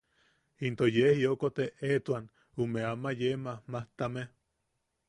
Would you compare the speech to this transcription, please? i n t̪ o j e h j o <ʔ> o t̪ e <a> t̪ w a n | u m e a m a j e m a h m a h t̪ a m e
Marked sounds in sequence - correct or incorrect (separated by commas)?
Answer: incorrect, incorrect